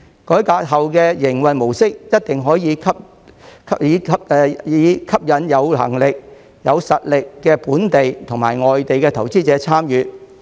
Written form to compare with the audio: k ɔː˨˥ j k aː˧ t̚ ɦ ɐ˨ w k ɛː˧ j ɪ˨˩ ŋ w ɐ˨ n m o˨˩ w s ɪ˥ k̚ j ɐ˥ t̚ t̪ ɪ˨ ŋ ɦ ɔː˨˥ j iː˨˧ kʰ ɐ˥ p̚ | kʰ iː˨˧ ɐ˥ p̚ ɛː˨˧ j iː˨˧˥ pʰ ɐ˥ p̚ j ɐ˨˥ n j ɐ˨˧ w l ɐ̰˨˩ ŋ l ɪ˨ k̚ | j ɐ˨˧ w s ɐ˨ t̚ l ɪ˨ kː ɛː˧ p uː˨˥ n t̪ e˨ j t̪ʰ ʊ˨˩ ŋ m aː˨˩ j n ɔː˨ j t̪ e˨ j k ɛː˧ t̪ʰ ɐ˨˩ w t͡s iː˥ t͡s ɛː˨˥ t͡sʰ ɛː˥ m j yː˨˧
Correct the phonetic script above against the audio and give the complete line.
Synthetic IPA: k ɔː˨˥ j k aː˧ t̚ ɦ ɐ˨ w k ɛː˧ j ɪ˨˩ ŋ w ɐ˨ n m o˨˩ w s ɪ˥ k̚ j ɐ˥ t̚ t̪ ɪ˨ ŋ ɦ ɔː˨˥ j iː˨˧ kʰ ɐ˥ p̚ | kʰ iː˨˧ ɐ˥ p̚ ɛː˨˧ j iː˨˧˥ kʰ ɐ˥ p̚ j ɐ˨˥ n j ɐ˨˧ w l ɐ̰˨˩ ŋ l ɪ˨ k̚ | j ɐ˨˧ w s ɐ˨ t̚ l ɪ˨ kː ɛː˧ p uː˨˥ n t̪ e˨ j t̪ʰ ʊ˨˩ ŋ m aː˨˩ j ŋ ɔː˨ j t̪ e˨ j k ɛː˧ t̪ʰ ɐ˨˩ w t͡s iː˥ t͡s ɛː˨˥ t͡sʰ aː˥ m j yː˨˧

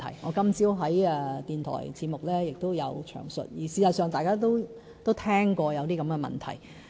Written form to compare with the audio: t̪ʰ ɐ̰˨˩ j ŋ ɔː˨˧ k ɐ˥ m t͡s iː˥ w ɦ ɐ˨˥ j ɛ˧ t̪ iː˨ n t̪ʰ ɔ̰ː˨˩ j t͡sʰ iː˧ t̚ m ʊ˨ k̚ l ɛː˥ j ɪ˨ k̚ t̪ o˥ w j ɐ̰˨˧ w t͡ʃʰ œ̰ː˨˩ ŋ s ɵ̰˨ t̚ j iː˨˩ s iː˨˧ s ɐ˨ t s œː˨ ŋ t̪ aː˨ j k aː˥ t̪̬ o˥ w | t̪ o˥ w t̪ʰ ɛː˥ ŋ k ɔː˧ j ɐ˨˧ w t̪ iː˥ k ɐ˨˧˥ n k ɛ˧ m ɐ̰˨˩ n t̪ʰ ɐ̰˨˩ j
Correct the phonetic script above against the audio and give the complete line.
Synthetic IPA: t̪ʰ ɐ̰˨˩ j ŋ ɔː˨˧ k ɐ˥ m t͡s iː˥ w ɦ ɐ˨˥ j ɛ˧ t̪ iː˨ n t̪ʰ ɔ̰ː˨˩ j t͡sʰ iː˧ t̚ m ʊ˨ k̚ l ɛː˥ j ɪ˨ k̚ t̪ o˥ w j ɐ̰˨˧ w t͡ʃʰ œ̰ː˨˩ ŋ s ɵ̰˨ t̚ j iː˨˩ s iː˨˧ s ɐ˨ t s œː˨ ŋ t̪ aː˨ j k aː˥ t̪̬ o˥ w | t̪ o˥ w t̪ʰ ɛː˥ ŋ k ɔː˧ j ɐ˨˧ w t̪ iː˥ k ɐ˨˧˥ m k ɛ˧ m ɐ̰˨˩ n t̪ʰ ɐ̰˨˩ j

